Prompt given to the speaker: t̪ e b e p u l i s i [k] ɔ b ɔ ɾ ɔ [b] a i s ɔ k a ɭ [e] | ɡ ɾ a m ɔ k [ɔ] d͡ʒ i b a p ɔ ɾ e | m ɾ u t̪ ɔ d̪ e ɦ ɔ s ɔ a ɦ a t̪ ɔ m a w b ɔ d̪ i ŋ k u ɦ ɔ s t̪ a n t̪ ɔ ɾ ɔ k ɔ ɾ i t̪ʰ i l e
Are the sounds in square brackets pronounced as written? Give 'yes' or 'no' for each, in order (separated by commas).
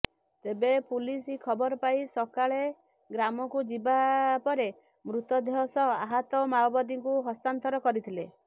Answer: no, no, yes, no